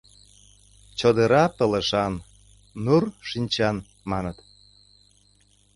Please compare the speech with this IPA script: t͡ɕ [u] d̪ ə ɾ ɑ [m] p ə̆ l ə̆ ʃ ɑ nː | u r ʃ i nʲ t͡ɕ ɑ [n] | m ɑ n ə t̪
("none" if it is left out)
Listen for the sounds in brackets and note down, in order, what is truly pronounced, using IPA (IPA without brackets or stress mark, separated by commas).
o, none, n